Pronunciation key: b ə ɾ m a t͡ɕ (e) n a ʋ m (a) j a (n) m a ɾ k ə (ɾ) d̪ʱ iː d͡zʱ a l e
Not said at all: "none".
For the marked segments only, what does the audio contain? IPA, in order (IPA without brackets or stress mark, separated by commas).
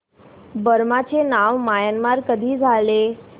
e, a, n, none